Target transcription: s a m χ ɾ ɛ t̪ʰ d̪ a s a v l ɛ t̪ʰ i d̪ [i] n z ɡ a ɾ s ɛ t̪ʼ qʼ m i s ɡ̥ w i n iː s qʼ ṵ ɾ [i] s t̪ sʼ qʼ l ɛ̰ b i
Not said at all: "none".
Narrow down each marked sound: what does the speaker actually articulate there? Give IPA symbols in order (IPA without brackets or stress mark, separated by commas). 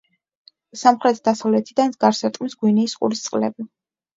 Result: a, i